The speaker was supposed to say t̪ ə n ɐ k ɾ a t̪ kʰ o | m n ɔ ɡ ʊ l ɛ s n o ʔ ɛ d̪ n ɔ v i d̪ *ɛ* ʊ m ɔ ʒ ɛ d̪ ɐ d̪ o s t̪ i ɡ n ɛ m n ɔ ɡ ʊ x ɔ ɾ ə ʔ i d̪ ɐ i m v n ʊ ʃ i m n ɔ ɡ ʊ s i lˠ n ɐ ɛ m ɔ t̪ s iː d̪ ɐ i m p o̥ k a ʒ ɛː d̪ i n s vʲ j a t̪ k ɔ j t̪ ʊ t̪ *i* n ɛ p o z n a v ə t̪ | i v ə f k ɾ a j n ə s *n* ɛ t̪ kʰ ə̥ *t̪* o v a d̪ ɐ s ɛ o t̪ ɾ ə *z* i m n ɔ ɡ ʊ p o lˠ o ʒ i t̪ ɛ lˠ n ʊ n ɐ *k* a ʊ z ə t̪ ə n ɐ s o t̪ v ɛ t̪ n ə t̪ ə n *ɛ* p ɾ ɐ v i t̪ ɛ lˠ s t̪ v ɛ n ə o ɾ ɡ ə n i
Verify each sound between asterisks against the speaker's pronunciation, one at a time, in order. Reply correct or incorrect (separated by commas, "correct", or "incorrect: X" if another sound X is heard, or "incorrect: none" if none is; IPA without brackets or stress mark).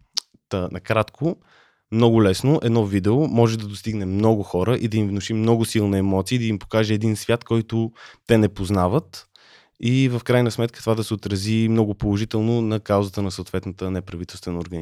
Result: correct, incorrect: ɛ, incorrect: m, correct, correct, correct, correct